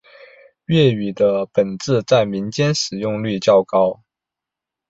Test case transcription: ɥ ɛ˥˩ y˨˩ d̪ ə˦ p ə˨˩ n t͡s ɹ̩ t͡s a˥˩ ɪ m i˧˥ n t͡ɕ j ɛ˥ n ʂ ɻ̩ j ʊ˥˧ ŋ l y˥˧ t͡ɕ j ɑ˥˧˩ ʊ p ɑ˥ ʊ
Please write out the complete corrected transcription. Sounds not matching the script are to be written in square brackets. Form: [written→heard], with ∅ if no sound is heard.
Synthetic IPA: ɥ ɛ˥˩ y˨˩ d̪ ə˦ p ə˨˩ n t͡s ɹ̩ t͡s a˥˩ ɪ m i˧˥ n t͡ɕ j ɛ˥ n ʂ ɻ̩ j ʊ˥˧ ŋ l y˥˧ t͡ɕ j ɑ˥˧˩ ʊ [p→k] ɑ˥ ʊ